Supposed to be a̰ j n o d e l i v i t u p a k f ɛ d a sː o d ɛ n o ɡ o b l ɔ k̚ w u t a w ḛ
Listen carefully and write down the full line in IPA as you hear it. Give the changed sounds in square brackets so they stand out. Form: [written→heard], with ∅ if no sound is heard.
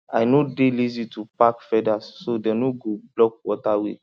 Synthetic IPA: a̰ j n o d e l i [v→z] i t u p a k f ɛ d a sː o d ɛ n o ɡ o b l ɔ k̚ w [u→ɔ] t a w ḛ